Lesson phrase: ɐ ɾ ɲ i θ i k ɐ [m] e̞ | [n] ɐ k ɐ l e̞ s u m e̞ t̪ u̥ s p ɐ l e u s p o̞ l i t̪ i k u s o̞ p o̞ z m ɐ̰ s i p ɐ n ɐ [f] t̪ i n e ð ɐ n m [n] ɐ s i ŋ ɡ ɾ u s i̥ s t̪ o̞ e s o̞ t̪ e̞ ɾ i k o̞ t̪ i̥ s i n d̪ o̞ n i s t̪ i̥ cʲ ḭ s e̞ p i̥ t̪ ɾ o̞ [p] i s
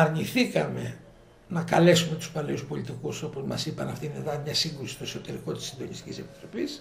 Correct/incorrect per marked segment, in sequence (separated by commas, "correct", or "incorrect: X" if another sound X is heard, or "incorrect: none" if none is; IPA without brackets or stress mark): correct, correct, correct, incorrect: ɲ, correct